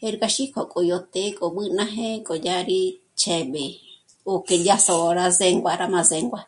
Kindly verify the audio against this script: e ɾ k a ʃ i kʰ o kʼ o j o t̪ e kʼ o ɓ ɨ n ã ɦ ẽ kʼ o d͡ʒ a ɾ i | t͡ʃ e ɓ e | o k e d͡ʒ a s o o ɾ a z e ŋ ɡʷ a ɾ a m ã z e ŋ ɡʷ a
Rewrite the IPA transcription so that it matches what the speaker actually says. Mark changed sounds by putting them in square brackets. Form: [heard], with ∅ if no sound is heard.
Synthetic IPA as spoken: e ɾ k a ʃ i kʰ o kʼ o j o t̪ e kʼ o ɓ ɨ n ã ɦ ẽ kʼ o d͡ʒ a ɾ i | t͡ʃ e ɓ e | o k e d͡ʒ a s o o ɾ a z e ŋ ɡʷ a ɾ a m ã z e ŋ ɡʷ a